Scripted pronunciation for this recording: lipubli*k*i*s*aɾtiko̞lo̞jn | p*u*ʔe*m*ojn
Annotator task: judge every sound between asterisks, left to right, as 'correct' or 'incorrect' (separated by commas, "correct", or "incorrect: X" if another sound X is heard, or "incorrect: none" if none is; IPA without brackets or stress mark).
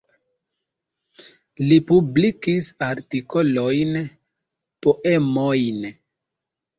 correct, correct, incorrect: o, correct